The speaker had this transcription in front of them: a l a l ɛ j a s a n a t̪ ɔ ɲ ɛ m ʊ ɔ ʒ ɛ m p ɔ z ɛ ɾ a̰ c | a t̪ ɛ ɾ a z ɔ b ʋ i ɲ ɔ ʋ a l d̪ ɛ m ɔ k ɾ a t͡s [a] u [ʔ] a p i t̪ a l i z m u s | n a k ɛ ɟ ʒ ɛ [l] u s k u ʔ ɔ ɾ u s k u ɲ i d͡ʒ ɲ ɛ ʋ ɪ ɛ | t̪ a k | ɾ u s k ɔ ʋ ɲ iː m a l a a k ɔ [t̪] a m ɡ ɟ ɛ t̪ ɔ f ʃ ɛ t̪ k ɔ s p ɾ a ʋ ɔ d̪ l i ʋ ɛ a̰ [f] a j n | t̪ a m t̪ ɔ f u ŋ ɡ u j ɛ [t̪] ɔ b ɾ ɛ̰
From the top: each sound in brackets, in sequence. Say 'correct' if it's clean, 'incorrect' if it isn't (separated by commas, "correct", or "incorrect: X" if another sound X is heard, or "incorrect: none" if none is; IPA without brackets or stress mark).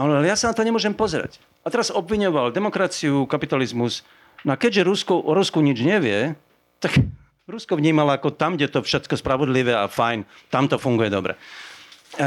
incorrect: i, incorrect: k, incorrect: ɾ, correct, correct, incorrect: d̪